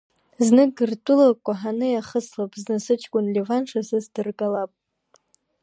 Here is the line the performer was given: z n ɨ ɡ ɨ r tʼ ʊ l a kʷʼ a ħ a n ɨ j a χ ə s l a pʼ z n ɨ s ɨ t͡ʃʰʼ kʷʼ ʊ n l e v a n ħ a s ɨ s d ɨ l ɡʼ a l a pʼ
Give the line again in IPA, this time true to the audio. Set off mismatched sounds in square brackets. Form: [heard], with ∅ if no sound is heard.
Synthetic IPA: z n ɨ ɡ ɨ r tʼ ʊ l a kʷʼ a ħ a n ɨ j a χ ə s l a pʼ z n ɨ s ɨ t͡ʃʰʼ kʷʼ ʊ n l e v a n [ʂ] a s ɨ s d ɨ [r] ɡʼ a l a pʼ